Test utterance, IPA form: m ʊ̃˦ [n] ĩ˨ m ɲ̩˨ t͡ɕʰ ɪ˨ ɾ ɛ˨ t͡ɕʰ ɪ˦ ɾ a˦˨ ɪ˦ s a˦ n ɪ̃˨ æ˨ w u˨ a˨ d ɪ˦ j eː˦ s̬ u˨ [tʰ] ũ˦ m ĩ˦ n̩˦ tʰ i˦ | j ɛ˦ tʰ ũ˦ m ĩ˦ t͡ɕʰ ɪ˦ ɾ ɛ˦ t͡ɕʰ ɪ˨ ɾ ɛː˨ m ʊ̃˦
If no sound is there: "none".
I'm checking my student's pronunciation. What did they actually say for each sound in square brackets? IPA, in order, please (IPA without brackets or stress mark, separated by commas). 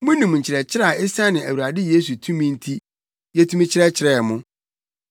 n, tʰ